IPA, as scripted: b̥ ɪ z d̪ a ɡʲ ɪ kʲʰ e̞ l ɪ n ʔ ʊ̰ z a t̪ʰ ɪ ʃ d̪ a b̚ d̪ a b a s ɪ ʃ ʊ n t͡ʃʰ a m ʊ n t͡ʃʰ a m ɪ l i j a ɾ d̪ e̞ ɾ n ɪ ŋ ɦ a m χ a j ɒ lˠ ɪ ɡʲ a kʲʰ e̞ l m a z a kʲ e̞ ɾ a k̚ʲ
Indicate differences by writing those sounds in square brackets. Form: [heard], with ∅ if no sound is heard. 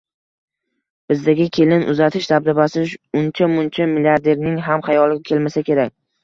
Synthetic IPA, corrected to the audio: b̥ ɪ z d̪ a ɡʲ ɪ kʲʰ e̞ l ɪ n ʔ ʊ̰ z a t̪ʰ ɪ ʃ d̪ a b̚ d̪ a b a s ɪ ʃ ʊ n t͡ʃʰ a m ʊ n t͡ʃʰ a m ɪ l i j a ɾ d̪ e̞ ɾ n ɪ ŋ ɦ a m χ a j ɒ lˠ ɪ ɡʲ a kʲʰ e̞ l m a [s] a kʲ e̞ ɾ a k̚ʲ